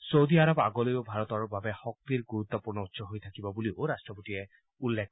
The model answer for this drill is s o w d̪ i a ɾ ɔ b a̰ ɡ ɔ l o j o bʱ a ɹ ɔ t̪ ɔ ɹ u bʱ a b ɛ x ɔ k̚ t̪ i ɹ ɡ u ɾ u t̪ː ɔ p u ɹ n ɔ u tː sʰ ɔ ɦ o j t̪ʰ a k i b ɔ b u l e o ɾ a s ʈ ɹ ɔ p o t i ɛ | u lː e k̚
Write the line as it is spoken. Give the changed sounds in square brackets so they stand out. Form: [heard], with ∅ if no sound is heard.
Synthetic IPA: s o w d̪ i a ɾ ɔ b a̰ ɡ ɔ l o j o bʱ a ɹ ɔ t̪ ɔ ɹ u bʱ a b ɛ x ɔ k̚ t̪ i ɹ ɡ u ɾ u t̪ː ɔ p u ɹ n ɔ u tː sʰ ɔ ɦ o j t̪ʰ a k i b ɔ b u l [i] o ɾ a s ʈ ɹ ɔ p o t i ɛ | u lː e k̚